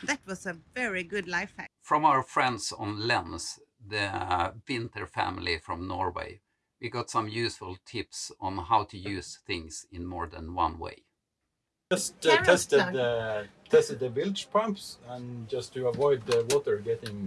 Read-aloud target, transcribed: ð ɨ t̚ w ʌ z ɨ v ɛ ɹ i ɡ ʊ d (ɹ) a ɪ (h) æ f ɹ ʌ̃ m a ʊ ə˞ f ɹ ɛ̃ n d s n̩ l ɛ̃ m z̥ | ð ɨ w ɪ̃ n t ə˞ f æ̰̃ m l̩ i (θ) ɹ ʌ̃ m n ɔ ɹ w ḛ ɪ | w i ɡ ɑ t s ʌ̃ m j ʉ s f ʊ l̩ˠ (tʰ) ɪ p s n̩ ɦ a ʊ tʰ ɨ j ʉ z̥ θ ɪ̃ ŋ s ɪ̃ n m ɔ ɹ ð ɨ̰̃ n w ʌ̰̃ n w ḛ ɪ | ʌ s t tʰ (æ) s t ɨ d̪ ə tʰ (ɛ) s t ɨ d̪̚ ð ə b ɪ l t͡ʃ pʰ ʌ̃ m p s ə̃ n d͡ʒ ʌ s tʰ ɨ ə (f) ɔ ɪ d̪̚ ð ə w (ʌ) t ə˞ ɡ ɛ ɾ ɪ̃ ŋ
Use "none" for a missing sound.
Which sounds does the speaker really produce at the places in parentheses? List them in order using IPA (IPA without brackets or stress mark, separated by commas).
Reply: l, f, f, tʰ, ɛ, ɛ, v, ɔ